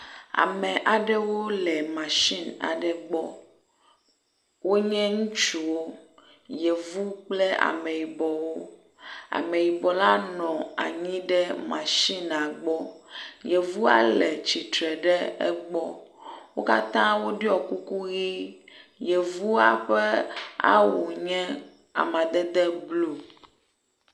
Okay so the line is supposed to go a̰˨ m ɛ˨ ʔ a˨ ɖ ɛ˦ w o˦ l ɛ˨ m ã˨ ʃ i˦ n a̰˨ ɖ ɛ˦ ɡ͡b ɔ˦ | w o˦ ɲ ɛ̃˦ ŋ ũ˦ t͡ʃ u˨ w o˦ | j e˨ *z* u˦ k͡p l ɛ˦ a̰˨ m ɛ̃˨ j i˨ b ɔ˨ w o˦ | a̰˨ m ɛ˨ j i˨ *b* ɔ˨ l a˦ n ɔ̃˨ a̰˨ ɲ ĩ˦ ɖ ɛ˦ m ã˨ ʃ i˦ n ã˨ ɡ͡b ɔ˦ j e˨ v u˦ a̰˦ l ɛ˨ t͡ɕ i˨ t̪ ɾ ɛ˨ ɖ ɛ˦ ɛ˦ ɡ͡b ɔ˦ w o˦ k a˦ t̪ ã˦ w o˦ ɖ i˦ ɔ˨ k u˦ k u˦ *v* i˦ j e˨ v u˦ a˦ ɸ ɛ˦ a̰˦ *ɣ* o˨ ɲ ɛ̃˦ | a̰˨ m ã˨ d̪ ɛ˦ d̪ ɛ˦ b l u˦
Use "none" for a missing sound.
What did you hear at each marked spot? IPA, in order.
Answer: v, b, ɣ, w

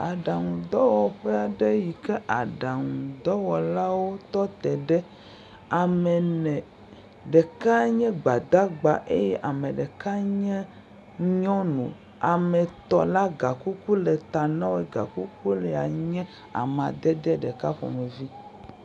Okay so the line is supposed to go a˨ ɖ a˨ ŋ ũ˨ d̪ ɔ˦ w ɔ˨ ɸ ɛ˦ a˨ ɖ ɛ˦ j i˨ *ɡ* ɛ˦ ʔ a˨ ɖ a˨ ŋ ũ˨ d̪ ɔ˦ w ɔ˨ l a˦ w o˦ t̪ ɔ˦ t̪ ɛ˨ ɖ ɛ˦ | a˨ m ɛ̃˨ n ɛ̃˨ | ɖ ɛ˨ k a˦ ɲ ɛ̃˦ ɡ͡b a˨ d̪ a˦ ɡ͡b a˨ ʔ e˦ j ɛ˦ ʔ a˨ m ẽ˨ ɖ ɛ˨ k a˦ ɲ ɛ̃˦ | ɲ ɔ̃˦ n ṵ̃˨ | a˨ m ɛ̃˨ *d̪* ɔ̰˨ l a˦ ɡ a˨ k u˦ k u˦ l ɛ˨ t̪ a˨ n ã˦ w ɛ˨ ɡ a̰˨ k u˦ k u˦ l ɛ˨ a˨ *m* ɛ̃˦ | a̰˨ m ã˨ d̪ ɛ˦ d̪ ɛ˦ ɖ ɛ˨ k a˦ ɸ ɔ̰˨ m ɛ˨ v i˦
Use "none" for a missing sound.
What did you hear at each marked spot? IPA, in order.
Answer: k, t̪, ɲ

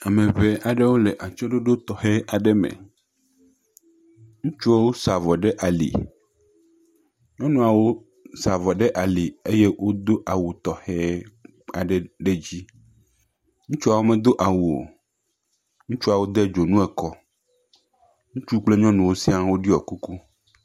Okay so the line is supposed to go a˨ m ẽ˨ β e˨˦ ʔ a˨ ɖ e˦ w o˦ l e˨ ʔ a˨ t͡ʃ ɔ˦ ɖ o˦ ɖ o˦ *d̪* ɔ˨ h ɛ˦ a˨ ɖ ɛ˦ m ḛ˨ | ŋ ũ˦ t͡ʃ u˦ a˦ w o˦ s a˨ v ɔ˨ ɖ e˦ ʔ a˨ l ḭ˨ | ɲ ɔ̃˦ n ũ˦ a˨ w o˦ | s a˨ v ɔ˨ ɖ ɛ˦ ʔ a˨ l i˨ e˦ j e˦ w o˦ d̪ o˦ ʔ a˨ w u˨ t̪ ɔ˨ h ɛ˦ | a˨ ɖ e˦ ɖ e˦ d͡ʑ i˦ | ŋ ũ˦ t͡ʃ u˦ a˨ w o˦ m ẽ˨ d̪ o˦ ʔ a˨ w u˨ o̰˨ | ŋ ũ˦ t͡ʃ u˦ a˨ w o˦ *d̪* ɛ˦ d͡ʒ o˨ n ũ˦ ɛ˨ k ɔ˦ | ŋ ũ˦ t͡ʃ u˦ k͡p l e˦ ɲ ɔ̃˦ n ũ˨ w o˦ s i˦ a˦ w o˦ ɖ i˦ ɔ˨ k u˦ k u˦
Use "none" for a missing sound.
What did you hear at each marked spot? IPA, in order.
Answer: t̪, d̪

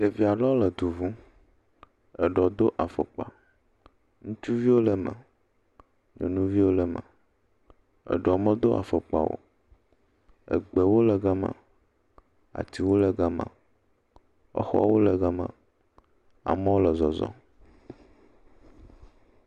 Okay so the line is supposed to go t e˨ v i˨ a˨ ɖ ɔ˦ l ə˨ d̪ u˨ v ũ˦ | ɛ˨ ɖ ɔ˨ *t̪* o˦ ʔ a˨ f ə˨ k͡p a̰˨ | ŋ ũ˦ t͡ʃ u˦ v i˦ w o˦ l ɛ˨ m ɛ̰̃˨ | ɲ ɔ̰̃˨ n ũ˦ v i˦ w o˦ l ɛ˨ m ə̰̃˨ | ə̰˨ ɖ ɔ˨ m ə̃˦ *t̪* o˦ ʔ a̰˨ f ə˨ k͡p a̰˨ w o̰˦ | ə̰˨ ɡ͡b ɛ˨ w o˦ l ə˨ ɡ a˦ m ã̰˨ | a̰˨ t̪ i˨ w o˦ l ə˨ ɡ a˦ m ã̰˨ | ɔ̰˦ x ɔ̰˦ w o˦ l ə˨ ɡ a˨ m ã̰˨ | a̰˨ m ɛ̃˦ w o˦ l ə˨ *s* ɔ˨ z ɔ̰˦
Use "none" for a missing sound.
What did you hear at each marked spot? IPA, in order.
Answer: d̪, d̪, z

